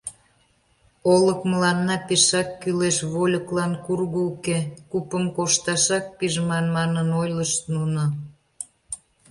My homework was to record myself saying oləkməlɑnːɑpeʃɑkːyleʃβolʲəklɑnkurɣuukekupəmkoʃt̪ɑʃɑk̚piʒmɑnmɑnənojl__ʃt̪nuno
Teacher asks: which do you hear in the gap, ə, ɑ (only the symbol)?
ə